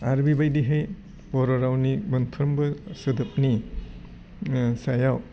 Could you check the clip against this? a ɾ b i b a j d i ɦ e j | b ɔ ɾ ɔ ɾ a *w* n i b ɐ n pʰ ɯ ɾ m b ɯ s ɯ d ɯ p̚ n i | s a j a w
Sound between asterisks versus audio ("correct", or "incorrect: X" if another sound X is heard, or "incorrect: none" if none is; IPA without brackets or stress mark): correct